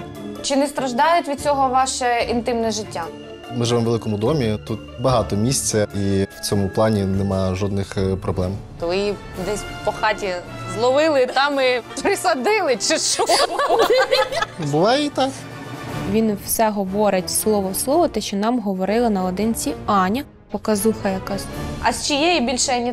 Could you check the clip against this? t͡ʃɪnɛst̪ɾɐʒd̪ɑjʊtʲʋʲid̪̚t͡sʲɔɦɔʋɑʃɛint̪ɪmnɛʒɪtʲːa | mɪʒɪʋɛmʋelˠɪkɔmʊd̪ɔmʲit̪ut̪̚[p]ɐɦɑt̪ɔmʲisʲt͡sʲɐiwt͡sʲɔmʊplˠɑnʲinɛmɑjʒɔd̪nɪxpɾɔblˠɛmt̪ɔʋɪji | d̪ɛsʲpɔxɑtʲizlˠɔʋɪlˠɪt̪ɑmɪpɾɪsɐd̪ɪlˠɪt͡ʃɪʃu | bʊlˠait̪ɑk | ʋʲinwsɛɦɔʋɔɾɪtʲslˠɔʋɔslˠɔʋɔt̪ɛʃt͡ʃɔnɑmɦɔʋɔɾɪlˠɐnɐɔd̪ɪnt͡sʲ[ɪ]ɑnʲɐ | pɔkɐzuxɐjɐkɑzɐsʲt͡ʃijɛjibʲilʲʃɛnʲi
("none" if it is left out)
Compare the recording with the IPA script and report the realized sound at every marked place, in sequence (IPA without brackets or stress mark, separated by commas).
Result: b, i